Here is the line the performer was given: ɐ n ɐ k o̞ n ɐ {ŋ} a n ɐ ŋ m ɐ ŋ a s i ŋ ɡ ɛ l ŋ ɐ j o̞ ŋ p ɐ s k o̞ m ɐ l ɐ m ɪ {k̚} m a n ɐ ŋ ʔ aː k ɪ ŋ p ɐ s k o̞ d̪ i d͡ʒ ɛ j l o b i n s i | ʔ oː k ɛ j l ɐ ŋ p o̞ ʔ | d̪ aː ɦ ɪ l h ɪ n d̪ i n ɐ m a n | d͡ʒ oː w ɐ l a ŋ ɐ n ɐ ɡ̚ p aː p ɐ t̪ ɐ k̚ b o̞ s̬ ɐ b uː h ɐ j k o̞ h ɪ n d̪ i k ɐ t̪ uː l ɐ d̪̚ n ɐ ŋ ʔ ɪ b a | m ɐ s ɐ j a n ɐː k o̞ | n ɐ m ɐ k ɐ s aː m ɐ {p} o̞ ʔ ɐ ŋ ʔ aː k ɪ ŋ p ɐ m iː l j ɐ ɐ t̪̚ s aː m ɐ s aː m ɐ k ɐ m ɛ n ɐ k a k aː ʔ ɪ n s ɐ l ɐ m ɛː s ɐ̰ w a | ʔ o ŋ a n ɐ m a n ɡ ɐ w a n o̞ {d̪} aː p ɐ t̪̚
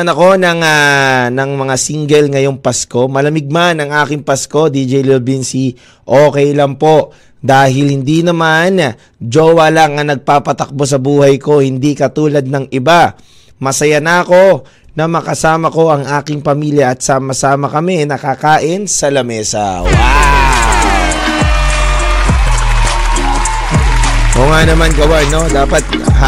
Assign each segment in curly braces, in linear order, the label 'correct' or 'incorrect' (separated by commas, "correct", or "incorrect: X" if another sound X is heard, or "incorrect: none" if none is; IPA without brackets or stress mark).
correct, incorrect: ɡ̚, incorrect: k, correct